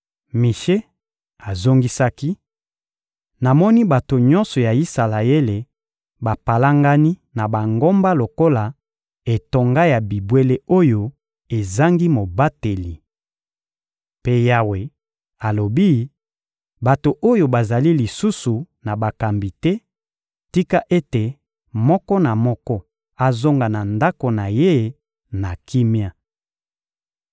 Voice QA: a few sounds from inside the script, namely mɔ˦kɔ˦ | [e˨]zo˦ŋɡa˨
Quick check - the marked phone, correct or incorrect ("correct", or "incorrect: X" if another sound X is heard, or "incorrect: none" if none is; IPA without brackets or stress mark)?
incorrect: a˨